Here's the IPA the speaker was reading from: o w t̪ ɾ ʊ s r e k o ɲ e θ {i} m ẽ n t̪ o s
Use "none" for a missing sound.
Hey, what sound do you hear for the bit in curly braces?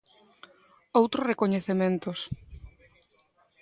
e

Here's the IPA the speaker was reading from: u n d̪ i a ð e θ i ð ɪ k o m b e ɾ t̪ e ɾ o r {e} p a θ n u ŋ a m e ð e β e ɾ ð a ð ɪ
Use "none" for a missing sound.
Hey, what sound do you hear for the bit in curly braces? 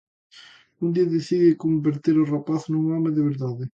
a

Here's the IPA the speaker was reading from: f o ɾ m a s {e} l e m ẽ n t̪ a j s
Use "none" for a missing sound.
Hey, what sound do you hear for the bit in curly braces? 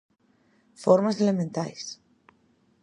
e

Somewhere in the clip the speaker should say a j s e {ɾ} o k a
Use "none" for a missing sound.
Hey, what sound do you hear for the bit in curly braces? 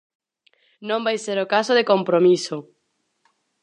ɾ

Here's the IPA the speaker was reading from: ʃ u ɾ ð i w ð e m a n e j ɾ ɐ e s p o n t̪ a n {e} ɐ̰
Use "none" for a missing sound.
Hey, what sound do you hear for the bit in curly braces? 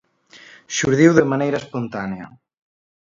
e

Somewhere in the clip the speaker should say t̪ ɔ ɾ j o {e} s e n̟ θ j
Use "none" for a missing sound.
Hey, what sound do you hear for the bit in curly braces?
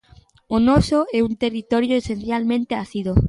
e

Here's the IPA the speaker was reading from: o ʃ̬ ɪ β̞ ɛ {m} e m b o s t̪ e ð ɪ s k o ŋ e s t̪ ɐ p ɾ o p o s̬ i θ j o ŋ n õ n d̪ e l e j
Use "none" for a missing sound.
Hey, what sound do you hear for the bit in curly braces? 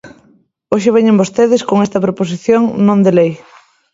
ɲ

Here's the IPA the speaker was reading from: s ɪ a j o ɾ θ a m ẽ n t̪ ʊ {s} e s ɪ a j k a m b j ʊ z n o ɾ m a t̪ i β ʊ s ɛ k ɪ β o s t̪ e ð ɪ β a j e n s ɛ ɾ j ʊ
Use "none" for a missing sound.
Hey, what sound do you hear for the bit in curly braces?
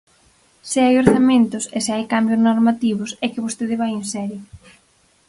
s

